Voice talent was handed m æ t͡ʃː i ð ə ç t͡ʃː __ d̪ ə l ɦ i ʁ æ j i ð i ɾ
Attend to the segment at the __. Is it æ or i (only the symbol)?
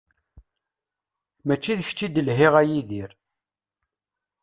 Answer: i